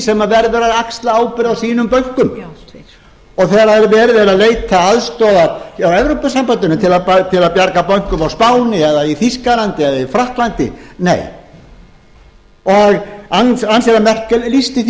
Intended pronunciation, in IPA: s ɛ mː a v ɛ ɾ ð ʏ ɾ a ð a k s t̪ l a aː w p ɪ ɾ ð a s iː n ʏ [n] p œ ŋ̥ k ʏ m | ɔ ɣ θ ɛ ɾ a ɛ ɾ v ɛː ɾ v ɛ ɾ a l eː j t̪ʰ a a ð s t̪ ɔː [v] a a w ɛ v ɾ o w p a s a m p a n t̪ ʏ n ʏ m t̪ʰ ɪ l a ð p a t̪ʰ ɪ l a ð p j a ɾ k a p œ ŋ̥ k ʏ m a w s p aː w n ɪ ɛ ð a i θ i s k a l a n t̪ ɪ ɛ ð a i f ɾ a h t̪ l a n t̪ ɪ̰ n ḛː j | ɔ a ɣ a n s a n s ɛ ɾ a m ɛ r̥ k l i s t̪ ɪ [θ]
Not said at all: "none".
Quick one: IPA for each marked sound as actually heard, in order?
m, ð, θ

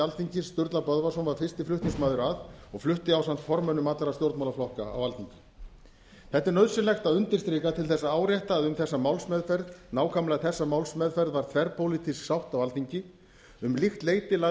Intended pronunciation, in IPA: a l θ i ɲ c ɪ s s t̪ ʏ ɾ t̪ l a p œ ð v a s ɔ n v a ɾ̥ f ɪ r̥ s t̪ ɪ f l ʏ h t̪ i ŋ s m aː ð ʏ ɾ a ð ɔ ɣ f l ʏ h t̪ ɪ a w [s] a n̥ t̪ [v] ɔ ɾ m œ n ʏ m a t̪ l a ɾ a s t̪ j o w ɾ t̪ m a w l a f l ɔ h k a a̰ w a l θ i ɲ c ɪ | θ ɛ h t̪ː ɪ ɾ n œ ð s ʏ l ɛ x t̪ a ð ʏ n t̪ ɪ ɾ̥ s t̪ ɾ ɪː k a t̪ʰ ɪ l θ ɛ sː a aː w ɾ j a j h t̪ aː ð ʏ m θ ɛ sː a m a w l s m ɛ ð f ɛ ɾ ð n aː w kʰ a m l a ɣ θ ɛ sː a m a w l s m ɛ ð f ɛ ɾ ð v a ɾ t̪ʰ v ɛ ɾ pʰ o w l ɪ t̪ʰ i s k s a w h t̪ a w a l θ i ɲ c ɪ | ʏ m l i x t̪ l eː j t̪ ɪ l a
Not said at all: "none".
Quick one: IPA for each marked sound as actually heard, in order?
s, f

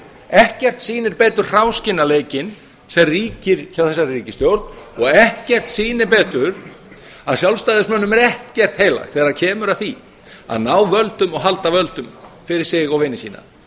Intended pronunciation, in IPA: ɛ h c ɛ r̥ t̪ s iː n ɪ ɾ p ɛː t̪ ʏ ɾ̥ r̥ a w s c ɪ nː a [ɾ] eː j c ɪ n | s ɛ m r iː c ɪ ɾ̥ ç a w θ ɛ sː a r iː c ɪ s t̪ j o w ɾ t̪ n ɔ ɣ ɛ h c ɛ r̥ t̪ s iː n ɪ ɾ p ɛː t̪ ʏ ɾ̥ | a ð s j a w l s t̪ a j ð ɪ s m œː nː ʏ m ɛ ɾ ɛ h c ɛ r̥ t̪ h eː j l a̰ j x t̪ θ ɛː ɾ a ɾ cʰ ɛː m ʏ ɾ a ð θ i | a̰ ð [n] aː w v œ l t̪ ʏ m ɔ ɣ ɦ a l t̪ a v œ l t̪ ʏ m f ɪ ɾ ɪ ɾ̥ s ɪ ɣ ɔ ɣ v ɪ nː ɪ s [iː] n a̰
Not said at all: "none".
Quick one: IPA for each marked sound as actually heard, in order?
l, n, iː

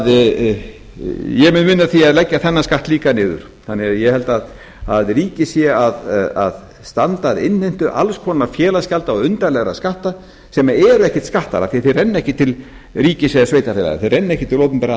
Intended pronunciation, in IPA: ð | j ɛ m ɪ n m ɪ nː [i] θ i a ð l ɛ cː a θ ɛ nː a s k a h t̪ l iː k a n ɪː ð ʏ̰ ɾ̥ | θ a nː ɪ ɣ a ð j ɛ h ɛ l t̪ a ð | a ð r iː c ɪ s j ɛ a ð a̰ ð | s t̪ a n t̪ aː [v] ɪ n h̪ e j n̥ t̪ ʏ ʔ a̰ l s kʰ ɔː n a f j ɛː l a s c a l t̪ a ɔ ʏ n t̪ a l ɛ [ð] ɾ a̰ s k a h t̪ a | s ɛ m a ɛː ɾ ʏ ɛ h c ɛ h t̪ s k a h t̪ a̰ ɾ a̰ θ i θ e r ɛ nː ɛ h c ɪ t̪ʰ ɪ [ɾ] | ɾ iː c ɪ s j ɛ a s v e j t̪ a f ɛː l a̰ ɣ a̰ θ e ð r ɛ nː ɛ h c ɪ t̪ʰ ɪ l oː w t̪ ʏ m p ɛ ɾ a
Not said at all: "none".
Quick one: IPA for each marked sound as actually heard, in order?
a, ð, ɣ, l

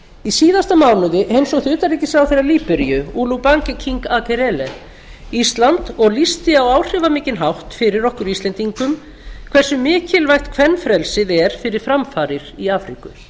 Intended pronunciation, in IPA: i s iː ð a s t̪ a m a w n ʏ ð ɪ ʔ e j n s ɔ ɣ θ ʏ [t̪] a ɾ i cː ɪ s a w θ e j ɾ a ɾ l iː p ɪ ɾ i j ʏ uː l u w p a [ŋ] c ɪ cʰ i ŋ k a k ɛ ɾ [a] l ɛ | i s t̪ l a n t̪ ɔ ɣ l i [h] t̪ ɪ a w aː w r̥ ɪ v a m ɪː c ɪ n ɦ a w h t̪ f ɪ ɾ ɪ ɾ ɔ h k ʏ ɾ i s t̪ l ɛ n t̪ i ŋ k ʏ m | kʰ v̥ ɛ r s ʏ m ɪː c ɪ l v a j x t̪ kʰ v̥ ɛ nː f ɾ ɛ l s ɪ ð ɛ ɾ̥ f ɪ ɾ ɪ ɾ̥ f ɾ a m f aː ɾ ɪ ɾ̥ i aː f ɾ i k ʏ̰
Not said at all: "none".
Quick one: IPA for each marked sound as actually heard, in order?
t̪, ŋ, ɛ, s

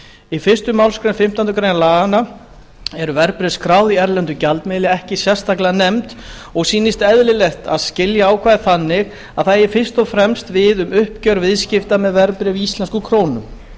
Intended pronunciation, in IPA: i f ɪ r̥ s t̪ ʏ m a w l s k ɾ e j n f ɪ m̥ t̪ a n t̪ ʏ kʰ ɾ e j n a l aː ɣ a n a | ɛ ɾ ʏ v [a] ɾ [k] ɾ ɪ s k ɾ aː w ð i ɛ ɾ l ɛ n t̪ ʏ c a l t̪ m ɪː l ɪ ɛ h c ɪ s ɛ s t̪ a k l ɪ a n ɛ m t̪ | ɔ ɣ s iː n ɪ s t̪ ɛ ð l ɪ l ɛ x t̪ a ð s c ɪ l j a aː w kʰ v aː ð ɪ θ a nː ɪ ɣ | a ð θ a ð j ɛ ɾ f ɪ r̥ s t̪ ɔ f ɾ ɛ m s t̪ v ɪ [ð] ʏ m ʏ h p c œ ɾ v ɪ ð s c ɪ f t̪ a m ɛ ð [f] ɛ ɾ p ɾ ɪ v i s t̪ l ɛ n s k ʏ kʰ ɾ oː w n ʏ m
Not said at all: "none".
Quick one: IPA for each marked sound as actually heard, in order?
ɛ, p, ð, v

